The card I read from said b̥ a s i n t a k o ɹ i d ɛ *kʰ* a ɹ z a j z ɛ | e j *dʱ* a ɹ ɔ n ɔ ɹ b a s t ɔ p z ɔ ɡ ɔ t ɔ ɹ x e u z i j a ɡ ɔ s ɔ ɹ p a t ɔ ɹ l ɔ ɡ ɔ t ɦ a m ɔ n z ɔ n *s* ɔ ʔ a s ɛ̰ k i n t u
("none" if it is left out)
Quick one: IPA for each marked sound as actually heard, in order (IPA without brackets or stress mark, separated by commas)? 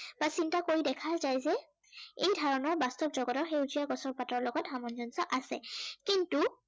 kʰ, dʱ, s